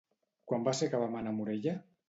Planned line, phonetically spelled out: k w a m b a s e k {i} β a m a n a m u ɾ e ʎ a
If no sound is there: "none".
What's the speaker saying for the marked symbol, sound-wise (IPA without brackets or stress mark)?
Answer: a